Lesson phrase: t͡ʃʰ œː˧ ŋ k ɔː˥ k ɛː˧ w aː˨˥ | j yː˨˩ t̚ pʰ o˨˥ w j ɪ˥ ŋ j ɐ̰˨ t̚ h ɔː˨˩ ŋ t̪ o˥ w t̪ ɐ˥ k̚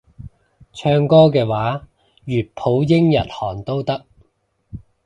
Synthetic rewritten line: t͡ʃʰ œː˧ ŋ k ɔː˥ k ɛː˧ w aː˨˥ | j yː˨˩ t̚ pʰ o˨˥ w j ɪ˥ ŋ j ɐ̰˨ t̚ h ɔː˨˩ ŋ t̪ o˥ w t̪ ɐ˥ k̚